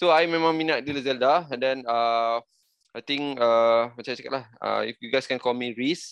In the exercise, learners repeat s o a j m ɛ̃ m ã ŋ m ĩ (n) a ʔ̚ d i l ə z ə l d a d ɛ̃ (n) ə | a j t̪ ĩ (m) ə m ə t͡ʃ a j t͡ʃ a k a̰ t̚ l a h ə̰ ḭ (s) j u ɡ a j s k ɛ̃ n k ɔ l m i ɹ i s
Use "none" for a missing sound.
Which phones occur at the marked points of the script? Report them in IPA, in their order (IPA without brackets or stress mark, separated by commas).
n, n, ŋ, f